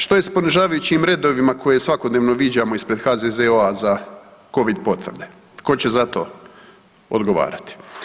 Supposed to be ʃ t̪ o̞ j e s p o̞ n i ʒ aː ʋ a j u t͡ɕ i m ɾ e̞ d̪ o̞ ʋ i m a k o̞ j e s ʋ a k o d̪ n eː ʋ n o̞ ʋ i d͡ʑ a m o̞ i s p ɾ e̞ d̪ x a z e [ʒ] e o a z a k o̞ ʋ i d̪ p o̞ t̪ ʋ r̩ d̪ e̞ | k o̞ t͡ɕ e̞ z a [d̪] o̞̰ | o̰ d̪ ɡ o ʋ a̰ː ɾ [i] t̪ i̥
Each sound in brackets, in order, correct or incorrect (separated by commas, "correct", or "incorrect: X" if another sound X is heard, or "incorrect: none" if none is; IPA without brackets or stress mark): incorrect: z, incorrect: t̪, incorrect: a